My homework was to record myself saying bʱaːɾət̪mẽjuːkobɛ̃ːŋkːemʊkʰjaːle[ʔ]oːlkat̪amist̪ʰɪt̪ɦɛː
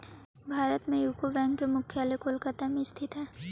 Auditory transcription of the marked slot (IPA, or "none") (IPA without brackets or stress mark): k